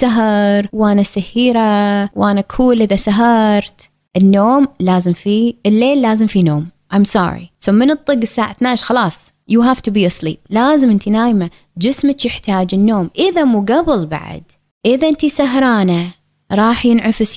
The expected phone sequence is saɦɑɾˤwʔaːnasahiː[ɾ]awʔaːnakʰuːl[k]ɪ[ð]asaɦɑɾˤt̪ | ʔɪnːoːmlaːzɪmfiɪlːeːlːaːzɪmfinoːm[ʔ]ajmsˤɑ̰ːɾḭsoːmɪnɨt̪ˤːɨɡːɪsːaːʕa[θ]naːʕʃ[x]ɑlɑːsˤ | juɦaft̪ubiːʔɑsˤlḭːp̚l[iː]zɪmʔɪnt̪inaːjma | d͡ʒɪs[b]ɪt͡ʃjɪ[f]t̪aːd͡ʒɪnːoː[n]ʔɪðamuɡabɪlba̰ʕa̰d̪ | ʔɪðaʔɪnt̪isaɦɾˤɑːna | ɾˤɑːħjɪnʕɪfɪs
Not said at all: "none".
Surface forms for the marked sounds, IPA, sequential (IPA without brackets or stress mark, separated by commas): ɾ, ʔ, ð, ʔ, θ, x, aː, m, ħ, m